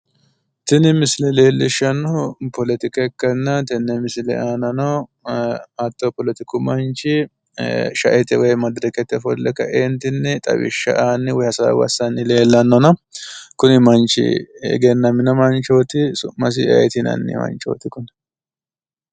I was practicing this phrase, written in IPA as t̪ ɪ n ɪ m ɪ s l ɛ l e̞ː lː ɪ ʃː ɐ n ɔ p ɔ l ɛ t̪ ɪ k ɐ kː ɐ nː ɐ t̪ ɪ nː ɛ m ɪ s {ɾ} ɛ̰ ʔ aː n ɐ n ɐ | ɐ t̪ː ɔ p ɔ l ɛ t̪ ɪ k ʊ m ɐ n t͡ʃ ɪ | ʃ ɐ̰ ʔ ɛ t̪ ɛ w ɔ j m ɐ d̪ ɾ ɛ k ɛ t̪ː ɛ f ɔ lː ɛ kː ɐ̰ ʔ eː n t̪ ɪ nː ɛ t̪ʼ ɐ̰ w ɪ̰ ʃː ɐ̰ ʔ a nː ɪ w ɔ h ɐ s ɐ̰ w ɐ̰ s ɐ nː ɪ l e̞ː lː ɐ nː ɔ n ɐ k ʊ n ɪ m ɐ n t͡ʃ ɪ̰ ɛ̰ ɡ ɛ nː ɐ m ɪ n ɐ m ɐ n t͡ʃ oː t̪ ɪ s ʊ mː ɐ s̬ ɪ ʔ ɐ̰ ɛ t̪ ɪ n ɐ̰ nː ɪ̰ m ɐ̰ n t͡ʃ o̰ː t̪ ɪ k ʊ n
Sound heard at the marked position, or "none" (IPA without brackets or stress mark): l